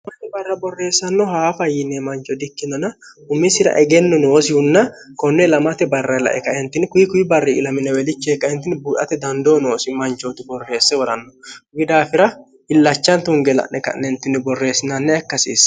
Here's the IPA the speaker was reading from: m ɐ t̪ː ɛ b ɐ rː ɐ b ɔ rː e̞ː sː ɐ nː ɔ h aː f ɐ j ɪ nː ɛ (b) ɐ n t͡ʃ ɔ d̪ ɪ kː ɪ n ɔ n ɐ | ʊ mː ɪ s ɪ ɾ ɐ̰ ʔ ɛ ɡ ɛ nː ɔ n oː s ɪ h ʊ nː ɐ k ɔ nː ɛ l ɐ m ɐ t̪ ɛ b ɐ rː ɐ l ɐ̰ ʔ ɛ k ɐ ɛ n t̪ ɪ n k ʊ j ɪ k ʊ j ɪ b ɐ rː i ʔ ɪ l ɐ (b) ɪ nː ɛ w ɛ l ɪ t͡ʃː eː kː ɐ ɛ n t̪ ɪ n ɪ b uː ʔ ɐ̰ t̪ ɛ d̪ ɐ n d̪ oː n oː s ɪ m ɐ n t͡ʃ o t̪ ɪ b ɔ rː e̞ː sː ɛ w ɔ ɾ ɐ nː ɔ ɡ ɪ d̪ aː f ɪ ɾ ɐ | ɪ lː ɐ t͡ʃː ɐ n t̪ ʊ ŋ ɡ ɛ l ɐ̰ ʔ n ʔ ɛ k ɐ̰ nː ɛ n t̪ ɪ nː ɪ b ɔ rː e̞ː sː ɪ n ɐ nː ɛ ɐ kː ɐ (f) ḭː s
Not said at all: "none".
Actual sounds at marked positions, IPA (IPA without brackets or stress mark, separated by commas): m, m, s